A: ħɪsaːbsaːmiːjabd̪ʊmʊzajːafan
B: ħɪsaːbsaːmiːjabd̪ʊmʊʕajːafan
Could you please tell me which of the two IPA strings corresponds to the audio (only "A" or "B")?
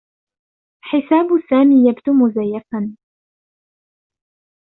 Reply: A